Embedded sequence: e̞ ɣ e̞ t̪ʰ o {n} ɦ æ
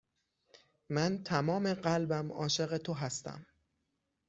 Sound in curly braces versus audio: incorrect: none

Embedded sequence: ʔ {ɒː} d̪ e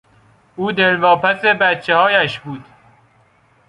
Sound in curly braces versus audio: incorrect: uː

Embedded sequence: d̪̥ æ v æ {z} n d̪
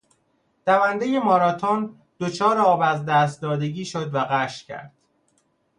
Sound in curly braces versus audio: incorrect: none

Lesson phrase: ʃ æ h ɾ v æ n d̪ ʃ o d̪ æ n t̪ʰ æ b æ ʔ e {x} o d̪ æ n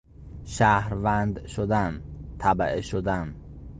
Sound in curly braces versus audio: incorrect: ʃ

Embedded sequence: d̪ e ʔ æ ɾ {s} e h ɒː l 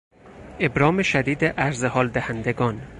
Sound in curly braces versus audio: incorrect: z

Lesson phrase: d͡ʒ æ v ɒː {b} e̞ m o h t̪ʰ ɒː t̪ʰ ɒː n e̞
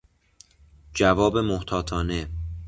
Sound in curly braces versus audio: correct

